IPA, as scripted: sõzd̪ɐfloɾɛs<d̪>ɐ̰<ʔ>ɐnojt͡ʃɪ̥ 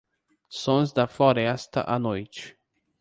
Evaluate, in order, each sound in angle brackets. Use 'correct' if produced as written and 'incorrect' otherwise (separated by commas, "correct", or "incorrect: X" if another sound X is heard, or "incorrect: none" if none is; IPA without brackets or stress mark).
incorrect: t̪, correct